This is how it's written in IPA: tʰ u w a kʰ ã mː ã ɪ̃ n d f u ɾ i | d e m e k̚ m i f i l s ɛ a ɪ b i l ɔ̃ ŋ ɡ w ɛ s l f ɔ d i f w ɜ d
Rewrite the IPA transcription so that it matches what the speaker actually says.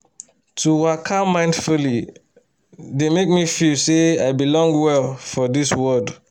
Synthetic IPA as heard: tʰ u w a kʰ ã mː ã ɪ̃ n d f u l i | d e m e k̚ m i f i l s e a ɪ b i l ɔ̃ ŋ ɡ w ɛ l f ɔ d i s w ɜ d